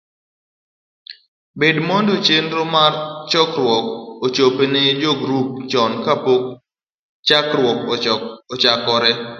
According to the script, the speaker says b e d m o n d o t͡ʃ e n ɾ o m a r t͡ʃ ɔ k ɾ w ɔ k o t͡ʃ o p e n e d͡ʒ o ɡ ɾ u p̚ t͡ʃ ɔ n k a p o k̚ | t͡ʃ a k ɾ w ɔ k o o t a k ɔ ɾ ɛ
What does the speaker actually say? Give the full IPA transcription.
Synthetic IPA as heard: b e d m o n d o t͡ʃ e n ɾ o m a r t͡ʃ ɔ k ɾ w ɔ k o t͡ʃ o p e n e d͡ʒ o ɡ ɾ u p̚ t͡ʃ ɔ n k a p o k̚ | t͡ʃ a k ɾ w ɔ k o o t͡ʃ a k ɔ ɾ ɛ

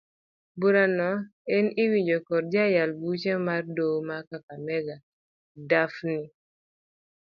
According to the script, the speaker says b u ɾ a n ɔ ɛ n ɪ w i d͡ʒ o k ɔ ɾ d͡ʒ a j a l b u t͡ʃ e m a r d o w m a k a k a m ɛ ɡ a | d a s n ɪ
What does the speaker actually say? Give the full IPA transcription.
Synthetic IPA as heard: b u ɾ a n ɔ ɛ n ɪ w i d͡ʒ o k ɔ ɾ d͡ʒ a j a l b u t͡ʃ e m a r d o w m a k a k a m ɛ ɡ a | d a f n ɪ

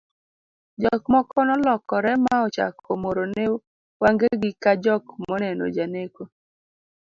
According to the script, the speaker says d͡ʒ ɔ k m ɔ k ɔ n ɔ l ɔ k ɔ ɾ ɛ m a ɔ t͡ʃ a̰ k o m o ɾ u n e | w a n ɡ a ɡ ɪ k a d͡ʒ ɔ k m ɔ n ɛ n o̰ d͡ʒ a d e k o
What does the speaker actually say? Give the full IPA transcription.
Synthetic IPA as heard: d͡ʒ ɔ k m ɔ k ɔ n ɔ l ɔ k ɔ ɾ ɛ m a ɔ t͡ʃ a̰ k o m o ɾ o n e | w a ŋ ɡ e ɡ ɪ k a d͡ʒ ɔ k m ɔ n ɛ n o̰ d͡ʒ a n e k o

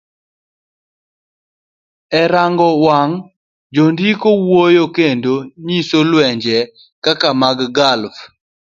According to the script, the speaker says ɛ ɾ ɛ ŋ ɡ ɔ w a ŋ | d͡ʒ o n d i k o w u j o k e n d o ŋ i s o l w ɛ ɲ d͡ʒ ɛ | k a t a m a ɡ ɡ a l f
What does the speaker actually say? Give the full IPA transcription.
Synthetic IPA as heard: ɛ ɾ a ŋ ɡ ɔ w a ŋ | d͡ʒ o n d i k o w o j o k e n d o ɲ i s o l w ɛ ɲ d͡ʒ ɛ | k a k a m a ɡ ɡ a l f

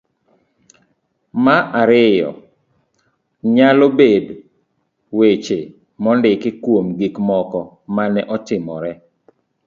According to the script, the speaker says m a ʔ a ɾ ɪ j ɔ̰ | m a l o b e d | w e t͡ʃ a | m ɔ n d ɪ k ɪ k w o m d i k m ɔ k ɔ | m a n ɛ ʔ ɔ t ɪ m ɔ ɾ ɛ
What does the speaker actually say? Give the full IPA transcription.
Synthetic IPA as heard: m a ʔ a ɾ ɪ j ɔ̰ | ɲ a l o b e d | w e t͡ʃ e | m ɔ n d ɪ k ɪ k w o m ɡ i k m ɔ k ɔ | m a n ɛ ʔ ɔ t ɪ m ɔ ɾ ɛ

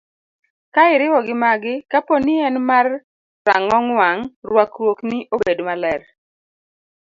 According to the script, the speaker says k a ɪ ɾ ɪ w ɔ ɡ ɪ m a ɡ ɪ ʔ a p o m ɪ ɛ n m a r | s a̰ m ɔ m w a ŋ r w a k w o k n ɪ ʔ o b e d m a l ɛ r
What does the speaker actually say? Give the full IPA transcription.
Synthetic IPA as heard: k a ɪ ɾ ɪ w ɔ ɡ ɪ m a ɡ ɪ k a p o n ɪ ɛ n m a r | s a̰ ŋ ɔ ŋ w a ŋ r w a k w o k n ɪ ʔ o b e d m a l ɛ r

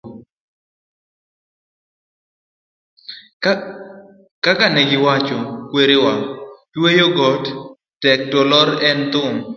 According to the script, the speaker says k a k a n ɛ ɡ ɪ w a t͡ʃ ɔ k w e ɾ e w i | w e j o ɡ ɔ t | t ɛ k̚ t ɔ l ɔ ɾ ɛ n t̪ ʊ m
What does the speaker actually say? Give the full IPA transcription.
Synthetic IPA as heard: k a k a n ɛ ɡ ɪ w a t͡ʃ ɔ k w e ɾ e w a | w e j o ɡ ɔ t | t ɛ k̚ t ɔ l ɔ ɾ ɛ n t̪ ʊ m

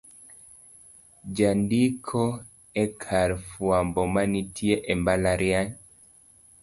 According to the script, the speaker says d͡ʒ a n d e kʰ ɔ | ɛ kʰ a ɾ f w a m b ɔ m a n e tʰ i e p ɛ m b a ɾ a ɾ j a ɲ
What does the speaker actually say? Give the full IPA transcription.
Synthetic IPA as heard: d͡ʒ a n d i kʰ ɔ | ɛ kʰ a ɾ f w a m b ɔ m a n i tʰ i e ʔ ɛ m b a l a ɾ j a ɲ

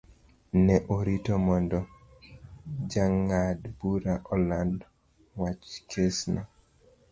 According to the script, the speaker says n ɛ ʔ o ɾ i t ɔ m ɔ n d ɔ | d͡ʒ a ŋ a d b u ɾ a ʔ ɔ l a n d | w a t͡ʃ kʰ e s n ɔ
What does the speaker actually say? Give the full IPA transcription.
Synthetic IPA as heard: n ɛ ʔ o ɾ i t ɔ m ɔ n d ɔ | d͡ʒ a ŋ a d b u ɾ a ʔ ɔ l a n d | w a t͡ʃ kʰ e s n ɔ

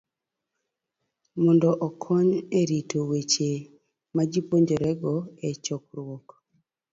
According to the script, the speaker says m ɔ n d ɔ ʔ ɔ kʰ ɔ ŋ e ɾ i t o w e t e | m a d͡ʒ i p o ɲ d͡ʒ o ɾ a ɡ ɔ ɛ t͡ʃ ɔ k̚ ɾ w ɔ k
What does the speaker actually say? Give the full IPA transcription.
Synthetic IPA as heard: m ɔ n d ɔ ʔ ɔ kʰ ɔ ɲ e ɾ i t o w e t͡ʃ e | m a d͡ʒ i p o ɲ d͡ʒ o ɾ ɛ ɡ ɔ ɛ t͡ʃ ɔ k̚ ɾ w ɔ k

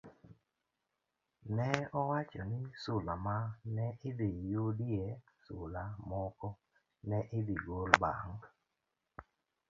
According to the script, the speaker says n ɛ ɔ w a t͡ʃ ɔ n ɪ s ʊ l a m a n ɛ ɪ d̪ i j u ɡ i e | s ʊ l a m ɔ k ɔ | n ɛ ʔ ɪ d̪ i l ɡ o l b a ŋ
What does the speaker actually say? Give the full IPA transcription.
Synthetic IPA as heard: n ɛ ɔ w a t͡ʃ ɔ n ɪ s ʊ l a m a n ɛ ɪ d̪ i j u d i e | s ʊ l a m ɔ k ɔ | n ɛ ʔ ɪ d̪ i ɡ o l b a ŋ

